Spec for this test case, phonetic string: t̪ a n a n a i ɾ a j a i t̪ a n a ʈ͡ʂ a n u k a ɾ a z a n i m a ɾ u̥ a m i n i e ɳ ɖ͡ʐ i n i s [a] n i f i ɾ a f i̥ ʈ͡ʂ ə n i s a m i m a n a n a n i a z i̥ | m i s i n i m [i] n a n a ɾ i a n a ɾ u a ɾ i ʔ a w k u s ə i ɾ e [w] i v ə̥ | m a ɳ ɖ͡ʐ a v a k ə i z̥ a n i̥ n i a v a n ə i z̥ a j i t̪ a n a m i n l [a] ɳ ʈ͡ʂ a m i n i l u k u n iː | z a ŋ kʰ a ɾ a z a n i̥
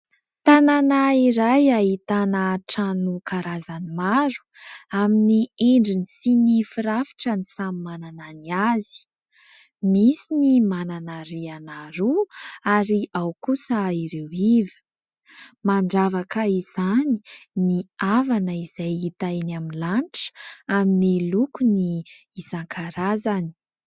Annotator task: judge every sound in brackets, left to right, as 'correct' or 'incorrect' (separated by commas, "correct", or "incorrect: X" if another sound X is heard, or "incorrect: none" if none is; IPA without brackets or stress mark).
incorrect: i, incorrect: a, correct, correct